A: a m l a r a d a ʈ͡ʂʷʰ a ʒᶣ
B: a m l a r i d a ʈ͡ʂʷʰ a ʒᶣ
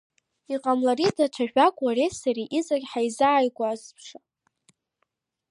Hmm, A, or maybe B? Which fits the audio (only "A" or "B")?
B